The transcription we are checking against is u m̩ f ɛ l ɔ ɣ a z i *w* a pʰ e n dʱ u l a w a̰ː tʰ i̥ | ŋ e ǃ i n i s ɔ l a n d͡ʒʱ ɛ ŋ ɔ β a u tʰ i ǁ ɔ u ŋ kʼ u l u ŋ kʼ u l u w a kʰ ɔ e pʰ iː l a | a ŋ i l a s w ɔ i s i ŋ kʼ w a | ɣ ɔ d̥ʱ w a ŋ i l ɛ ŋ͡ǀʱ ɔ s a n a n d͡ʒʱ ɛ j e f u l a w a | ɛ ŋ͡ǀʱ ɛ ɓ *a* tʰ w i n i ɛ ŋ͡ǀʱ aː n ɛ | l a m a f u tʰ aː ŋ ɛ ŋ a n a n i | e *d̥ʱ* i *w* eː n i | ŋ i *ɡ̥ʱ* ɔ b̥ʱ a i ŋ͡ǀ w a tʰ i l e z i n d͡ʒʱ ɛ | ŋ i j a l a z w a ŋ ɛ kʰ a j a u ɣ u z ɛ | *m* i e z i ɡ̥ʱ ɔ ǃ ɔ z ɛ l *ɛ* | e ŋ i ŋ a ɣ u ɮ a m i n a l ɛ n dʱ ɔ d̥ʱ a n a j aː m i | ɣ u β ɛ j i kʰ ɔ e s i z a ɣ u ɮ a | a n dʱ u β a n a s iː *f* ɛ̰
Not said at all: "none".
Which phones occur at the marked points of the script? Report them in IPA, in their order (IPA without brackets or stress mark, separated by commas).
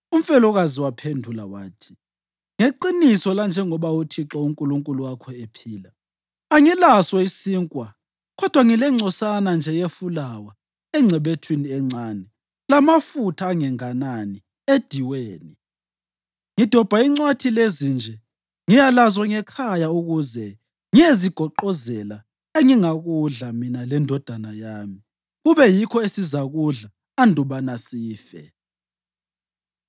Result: w, e, d̥ʱ, w, d̥ʱ, ŋ, a, f